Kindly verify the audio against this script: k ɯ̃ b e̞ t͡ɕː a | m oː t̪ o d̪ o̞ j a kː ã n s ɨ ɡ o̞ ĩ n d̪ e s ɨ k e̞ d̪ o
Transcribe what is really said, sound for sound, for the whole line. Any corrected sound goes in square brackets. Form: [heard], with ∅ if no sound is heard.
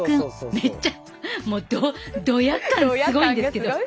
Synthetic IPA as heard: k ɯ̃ [m] e̞ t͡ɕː a | m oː [d̪] o d̪ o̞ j a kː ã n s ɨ ɡ o̞ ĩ n d̪ e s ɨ k e̞ d̪ o